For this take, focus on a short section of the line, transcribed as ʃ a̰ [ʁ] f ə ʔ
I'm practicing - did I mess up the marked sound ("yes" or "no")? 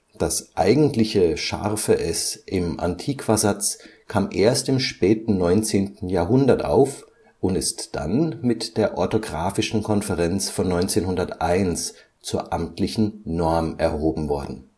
no